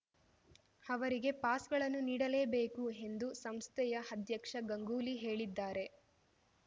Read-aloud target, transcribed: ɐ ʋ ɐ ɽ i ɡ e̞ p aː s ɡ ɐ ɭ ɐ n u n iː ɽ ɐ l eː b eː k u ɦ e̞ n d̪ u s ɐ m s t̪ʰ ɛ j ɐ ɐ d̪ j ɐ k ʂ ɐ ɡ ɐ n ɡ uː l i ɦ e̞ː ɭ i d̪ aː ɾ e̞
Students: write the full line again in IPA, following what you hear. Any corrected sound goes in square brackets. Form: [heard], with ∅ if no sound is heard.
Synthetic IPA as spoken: ɐ ʋ ɐ [ɾ] i ɡ e̞ p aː s ɡ ɐ ɭ ɐ [nː] u n iː ɽ ɐ l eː b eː k u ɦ e̞ n d̪ u s ɐ m s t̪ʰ ɛ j ɐ ɐ d̪ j ɐ k ʂ ɐ ɡ ɐ [ŋ] ɡ uː l i ɦ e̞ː ɭ i [d̪ː] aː ɾ e̞